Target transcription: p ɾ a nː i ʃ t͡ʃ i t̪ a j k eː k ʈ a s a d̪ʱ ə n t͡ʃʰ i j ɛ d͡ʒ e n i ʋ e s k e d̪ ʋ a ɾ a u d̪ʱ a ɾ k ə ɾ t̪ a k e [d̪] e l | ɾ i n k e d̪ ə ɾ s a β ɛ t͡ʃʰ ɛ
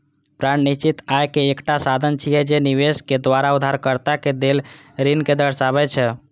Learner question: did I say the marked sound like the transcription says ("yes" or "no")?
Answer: yes